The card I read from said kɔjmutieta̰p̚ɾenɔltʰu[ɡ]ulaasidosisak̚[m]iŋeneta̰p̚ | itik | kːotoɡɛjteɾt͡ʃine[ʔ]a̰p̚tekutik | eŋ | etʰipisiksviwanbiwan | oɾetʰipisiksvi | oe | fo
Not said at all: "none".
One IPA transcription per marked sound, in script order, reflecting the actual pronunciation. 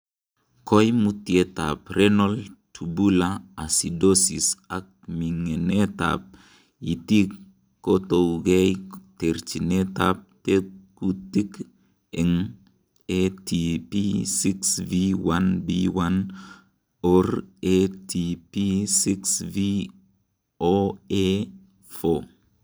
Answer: b, m, t

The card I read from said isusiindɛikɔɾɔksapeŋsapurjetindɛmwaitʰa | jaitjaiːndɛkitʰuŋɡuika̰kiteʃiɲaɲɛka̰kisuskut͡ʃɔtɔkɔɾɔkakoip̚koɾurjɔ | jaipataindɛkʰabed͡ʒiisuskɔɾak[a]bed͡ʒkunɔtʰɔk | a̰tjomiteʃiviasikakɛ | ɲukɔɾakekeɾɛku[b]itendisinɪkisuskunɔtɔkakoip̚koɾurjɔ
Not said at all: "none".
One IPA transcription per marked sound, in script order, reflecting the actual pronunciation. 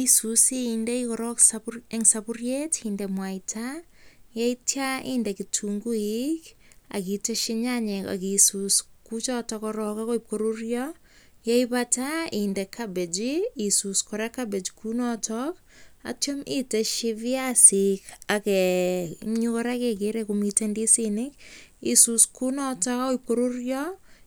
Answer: a, m

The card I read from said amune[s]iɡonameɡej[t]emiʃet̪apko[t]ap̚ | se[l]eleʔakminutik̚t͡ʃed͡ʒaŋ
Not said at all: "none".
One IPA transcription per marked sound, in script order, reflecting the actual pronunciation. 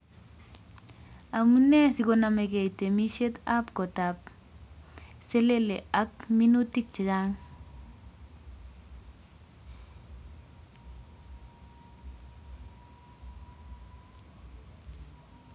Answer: s, t, t, l

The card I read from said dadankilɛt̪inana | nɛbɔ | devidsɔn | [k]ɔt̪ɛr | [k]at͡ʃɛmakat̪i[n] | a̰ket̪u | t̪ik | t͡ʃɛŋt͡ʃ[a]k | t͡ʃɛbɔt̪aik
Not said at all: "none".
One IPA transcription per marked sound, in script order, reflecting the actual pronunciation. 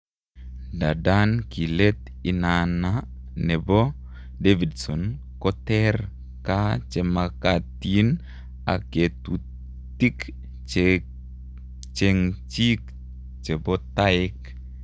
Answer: k, k, n, i

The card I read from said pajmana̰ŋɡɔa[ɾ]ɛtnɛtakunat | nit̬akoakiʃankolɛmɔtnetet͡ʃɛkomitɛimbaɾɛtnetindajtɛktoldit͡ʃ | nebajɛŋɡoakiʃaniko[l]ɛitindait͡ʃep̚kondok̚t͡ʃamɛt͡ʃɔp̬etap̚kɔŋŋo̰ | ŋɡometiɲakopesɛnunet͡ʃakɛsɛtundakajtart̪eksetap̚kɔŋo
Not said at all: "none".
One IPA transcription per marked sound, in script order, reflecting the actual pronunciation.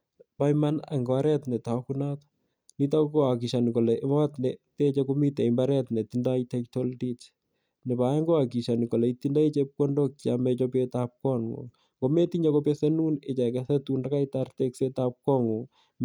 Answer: ɾ, l

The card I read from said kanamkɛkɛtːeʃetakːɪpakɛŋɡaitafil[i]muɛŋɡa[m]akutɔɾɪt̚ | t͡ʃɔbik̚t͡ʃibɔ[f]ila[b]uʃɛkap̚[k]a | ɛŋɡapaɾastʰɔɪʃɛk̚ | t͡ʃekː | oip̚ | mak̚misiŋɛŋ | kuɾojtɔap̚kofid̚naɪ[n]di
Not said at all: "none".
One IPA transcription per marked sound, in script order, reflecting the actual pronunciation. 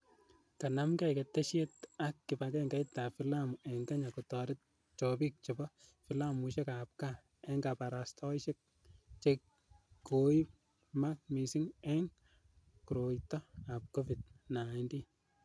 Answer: a, ɲ, f, m, k, n

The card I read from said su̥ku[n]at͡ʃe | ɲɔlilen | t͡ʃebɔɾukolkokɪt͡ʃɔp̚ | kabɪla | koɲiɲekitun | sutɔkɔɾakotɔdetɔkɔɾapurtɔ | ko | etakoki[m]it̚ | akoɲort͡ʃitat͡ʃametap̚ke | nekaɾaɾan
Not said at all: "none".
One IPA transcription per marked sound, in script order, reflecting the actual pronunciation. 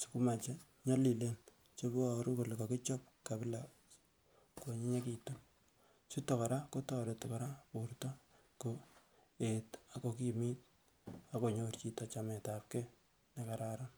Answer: m, m

